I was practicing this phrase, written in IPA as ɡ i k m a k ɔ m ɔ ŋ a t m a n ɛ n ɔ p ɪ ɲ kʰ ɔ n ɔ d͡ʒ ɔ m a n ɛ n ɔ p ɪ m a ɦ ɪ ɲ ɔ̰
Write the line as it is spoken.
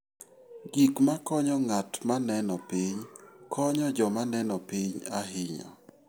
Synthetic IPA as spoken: ɡ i k m a k ɔ ɲ ɔ ŋ a t m a n ɛ n ɔ p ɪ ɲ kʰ ɔ ɲ ɔ d͡ʒ ɔ m a n ɛ n ɔ p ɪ ɲ a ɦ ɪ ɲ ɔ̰